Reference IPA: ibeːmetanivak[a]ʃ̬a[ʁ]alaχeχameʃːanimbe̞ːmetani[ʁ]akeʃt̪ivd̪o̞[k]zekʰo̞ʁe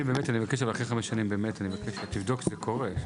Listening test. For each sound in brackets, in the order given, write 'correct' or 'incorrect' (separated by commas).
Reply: incorrect, incorrect, incorrect, correct